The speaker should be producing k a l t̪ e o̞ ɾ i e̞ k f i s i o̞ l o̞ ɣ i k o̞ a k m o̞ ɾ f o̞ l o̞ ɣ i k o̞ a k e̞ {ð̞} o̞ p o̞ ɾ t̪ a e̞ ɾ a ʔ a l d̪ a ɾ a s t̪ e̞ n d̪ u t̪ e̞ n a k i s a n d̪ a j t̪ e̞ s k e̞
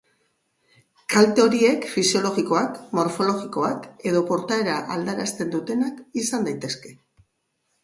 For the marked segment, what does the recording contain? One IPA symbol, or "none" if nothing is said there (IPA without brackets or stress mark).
ð̞